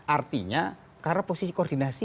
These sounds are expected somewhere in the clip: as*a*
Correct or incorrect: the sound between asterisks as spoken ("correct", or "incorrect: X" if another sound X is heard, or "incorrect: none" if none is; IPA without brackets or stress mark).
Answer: incorrect: i